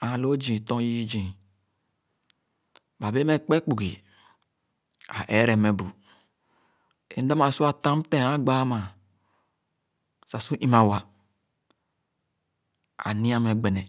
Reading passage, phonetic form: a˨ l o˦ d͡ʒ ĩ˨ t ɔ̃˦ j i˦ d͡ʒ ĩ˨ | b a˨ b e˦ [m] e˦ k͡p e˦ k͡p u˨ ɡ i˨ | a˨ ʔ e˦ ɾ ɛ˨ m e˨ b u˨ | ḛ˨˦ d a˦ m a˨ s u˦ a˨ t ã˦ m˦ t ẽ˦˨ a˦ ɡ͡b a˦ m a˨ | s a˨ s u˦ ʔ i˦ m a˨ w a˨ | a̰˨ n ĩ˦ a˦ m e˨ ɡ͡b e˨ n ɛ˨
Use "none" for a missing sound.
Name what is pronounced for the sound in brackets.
m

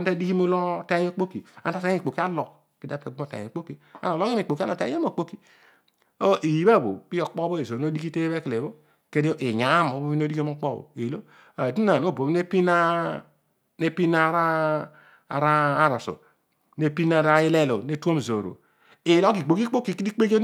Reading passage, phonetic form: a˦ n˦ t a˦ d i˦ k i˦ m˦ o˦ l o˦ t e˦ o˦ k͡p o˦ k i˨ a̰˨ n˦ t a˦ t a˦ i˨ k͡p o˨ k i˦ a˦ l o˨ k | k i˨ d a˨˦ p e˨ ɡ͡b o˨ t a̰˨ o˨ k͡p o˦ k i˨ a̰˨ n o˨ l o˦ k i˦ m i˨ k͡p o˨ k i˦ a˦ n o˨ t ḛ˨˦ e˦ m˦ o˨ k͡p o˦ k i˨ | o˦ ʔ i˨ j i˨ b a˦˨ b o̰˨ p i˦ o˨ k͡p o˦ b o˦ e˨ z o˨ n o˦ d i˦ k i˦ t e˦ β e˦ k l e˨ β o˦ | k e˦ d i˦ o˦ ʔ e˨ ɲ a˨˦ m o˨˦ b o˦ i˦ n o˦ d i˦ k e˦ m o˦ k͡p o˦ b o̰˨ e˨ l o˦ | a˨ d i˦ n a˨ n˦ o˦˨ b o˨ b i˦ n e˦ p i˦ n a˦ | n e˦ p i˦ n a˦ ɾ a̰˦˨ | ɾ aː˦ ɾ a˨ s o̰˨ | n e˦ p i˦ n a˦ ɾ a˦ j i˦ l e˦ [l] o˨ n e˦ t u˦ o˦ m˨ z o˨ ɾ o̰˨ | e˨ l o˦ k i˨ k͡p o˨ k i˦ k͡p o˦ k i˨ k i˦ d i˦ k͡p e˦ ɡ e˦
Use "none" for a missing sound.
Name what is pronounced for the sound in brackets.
l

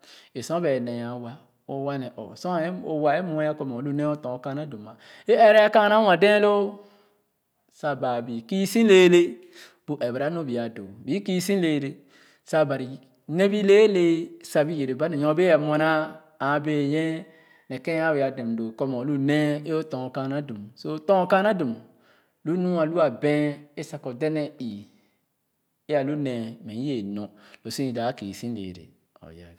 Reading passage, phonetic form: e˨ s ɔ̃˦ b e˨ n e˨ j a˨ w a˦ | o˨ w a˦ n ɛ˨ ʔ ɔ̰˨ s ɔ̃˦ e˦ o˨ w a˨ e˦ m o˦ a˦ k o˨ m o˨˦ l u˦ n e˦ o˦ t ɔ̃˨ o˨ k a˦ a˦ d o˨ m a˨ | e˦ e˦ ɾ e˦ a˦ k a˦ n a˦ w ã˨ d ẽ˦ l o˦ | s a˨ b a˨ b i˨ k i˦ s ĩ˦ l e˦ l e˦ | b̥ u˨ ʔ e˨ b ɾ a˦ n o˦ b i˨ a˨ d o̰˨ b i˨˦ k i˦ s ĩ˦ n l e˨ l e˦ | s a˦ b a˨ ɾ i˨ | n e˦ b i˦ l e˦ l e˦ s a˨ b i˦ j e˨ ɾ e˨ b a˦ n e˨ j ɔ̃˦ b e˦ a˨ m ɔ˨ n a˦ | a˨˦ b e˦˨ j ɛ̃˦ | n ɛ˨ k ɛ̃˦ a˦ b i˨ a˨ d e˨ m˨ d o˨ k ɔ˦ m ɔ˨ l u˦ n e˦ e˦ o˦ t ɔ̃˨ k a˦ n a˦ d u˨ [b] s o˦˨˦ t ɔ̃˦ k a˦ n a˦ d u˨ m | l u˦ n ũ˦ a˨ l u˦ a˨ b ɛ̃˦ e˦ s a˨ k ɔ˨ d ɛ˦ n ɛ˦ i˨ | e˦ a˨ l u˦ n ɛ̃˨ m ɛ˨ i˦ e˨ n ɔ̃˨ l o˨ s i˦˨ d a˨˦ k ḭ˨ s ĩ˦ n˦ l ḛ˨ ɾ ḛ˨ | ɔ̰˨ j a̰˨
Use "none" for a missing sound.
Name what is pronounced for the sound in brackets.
m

